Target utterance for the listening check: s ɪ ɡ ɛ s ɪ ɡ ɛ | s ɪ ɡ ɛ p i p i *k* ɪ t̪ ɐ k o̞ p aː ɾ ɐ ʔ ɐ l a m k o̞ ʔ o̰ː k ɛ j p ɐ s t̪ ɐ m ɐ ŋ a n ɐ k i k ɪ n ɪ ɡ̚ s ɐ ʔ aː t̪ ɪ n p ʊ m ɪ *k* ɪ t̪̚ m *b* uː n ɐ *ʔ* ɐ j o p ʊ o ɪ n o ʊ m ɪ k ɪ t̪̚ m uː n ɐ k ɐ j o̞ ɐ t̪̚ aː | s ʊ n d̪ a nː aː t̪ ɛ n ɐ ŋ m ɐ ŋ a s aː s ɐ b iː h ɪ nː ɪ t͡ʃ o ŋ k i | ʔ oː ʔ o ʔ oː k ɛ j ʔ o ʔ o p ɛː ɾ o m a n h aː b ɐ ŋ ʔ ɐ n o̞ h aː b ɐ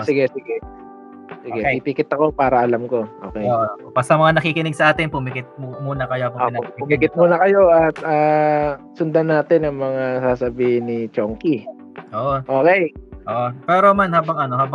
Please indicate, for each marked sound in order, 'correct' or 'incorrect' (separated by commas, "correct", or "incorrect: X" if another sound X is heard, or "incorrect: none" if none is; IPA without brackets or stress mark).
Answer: correct, correct, incorrect: m, incorrect: k